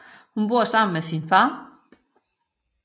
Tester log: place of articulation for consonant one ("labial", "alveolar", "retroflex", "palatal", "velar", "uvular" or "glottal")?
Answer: glottal